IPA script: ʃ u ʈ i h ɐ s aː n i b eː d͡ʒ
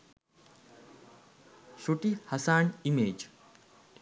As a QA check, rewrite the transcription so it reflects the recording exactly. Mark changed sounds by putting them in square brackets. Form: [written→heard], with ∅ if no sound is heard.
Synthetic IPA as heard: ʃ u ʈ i h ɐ s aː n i [b→m] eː d͡ʒ